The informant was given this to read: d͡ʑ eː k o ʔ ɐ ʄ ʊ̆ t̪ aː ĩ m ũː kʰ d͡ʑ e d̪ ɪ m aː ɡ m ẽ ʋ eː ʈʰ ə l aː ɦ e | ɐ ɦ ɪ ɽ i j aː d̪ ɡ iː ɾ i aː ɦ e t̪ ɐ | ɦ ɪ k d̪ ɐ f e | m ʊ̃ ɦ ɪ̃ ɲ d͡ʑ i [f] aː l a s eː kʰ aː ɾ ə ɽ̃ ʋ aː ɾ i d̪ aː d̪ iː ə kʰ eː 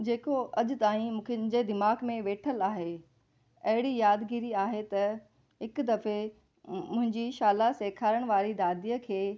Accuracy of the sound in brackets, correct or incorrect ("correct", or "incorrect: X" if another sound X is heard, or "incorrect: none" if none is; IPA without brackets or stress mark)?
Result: incorrect: ʃ